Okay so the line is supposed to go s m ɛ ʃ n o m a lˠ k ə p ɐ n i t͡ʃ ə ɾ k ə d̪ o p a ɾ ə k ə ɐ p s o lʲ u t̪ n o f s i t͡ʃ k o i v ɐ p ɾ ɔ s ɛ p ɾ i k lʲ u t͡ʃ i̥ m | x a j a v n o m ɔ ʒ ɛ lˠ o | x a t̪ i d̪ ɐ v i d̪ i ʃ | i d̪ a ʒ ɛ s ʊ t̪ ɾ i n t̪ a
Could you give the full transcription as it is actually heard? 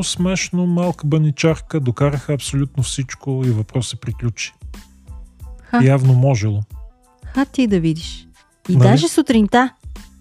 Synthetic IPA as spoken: s m ɛ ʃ n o m a lˠ k ə b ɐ n i t͡ʃ a ɾ k ə d̪ o k a ɾ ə x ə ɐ p s o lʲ u t̪ n o f s i t͡ʃ k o i v ɐ p ɾ ɔ s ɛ p ɾ i k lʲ u t͡ʃ i̥ | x a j a v n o m ɔ ʒ ɛ lˠ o | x a t̪ i d̪ ɐ v i d̪ i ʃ | i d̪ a ʒ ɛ s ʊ t̪ ɾ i n t̪ a